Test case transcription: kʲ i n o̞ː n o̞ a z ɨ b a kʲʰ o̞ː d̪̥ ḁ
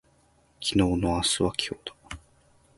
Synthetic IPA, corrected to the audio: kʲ i n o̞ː n o̞ a s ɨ β a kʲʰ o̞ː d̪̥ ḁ